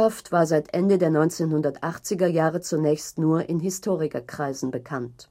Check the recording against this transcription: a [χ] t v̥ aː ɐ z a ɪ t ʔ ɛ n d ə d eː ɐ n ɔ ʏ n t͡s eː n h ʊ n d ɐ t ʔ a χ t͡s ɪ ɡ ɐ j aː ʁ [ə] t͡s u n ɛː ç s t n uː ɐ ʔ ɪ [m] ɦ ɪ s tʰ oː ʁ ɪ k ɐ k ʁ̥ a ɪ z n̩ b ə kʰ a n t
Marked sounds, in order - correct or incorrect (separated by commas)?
incorrect, correct, incorrect